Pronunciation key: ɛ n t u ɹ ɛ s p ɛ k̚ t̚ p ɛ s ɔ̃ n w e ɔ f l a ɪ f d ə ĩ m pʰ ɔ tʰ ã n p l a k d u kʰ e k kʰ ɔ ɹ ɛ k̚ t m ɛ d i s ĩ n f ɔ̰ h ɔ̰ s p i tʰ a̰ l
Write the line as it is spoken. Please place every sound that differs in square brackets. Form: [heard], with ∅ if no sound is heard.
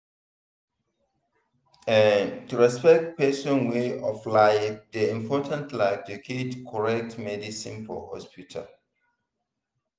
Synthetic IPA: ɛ n t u ɹ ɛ s p ɛ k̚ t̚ p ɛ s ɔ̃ n w e ɔ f l a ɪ f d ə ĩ m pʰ ɔ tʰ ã n [t] l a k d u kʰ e [t] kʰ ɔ ɹ ɛ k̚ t m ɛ d i s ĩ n f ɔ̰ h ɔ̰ s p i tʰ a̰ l